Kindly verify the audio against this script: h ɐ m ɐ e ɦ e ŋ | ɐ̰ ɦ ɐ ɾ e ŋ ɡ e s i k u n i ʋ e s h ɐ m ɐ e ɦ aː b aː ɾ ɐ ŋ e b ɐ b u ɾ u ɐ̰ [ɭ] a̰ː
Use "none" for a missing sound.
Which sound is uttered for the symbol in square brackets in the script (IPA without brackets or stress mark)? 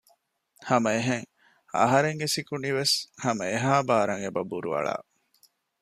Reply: ɭ